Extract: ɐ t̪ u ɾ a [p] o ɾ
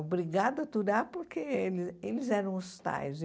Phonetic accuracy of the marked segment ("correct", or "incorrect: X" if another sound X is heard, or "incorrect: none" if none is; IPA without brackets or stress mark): correct